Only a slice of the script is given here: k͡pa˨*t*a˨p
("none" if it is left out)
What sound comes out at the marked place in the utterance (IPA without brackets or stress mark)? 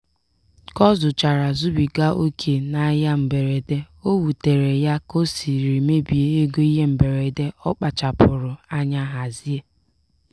t͡ʃ